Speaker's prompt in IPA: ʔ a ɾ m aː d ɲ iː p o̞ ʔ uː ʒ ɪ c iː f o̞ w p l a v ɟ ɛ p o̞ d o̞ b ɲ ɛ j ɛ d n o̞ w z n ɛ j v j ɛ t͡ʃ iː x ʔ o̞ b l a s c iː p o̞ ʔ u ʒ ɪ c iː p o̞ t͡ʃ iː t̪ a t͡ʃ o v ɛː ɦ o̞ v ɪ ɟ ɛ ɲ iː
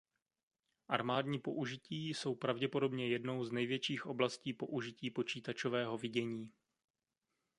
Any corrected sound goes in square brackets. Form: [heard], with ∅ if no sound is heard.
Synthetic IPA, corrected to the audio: ʔ a ɾ m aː d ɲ iː p o̞ ʔ [u] ʒ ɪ c iː [s] o̞ w p [ɾ] a v ɟ ɛ p o̞ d o̞ b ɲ ɛ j ɛ d n o̞ w z n ɛ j v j ɛ t͡ʃ iː x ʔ o̞ b l a s c iː p o̞ ʔ u ʒ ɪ c iː p o̞ t͡ʃ iː t̪ a t͡ʃ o v ɛː ɦ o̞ v ɪ ɟ ɛ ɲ iː